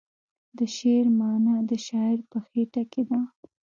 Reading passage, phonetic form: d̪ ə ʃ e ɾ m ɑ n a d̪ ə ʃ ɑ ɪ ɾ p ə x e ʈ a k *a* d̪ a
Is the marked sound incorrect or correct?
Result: incorrect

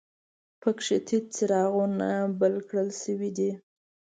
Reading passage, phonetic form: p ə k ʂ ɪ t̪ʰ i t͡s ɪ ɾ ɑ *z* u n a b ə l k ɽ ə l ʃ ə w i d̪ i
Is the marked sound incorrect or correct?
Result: incorrect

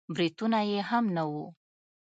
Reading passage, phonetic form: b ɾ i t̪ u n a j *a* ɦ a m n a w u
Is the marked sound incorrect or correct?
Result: incorrect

